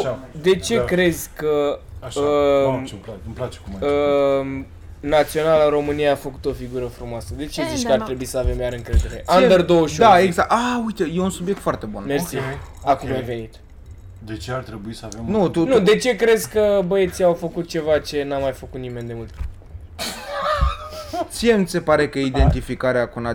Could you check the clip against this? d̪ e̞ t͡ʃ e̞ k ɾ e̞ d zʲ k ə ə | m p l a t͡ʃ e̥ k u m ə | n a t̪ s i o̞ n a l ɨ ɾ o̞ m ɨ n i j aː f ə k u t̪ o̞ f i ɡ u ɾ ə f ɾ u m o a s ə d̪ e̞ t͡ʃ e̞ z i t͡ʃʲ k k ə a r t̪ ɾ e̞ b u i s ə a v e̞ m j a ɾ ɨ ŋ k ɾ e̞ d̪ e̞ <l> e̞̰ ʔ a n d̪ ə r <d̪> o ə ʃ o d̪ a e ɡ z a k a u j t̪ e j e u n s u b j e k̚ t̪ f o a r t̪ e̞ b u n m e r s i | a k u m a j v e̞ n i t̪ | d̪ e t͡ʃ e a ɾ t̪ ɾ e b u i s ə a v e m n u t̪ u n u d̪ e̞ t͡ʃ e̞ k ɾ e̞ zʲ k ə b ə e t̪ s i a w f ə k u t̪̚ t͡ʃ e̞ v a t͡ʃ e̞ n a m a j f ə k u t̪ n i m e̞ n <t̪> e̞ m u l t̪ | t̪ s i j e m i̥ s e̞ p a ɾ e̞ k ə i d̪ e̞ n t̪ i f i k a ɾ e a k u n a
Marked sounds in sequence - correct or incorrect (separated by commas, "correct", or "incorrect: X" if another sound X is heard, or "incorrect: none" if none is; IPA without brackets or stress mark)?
incorrect: ɾ, correct, incorrect: d̪